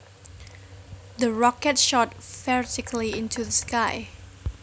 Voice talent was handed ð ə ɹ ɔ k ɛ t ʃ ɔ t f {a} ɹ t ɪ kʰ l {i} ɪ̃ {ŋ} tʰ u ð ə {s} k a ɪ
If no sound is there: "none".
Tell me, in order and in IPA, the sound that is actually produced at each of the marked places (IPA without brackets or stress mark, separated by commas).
ɛ, i, n, s